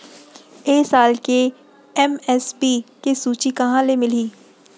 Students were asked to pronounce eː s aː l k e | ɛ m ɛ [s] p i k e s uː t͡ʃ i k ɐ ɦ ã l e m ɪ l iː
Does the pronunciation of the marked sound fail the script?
no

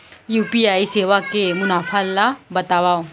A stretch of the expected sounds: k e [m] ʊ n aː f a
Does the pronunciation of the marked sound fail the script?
no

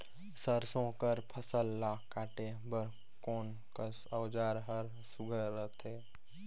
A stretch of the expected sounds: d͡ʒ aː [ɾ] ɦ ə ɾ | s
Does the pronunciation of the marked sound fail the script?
no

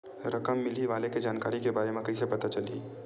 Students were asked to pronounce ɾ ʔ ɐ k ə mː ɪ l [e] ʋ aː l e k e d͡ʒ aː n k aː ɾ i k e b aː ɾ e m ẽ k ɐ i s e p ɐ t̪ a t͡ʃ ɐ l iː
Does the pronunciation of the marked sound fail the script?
yes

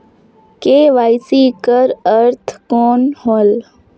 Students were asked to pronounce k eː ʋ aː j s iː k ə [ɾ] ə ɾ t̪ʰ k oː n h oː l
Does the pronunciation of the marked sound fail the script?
no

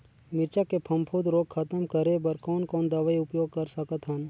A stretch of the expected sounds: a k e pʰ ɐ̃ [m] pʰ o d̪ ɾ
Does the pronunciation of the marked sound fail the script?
no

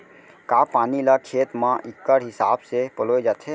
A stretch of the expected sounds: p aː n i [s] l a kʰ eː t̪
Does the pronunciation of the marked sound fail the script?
yes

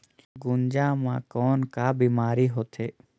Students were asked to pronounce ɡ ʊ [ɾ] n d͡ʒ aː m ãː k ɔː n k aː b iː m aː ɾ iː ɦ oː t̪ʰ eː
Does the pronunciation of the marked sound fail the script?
yes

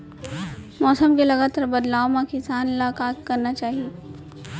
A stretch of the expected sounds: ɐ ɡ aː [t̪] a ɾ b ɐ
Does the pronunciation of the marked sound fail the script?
no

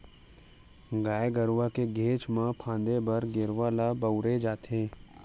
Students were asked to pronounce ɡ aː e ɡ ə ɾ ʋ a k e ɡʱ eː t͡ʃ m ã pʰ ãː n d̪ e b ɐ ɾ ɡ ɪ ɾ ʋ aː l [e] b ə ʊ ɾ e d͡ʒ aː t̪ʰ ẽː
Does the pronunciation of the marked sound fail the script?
yes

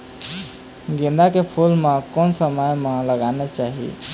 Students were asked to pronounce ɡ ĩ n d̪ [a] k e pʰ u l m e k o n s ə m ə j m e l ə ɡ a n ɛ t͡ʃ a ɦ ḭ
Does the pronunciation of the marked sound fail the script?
no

